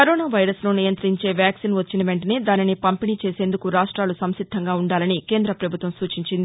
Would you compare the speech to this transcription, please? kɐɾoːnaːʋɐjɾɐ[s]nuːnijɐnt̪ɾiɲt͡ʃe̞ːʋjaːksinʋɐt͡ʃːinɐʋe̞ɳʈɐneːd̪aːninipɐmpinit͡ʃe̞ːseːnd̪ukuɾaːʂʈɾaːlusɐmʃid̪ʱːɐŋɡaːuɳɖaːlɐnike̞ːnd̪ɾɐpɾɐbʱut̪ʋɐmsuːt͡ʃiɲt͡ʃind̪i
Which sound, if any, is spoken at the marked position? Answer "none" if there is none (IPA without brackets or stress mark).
s